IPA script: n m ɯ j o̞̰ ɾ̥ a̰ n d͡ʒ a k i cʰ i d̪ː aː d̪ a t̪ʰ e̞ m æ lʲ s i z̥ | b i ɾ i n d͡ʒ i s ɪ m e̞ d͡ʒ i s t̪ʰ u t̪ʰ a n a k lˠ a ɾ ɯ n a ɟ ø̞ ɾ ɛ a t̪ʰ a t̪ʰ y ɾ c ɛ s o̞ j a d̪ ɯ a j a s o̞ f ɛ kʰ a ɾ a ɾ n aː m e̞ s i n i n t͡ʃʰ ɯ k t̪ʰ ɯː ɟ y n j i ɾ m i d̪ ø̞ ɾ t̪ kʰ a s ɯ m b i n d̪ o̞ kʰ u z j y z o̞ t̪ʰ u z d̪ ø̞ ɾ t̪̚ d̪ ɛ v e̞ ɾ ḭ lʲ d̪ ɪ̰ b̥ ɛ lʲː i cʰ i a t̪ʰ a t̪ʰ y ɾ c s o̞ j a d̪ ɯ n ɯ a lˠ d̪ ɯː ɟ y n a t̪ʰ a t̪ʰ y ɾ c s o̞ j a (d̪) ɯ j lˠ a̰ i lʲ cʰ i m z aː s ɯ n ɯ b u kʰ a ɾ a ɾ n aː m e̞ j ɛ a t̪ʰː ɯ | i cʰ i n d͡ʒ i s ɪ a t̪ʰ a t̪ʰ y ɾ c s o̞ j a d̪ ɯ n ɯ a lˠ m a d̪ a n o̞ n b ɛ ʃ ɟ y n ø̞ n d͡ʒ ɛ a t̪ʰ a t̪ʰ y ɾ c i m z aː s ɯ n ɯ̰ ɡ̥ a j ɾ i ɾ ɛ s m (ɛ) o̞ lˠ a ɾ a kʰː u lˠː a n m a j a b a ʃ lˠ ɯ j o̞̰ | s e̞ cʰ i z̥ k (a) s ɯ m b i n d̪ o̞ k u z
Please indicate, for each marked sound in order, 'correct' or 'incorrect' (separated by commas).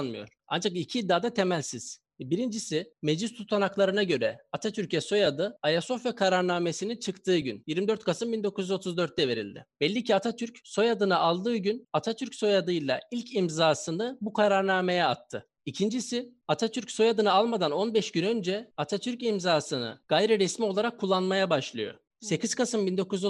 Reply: correct, incorrect, correct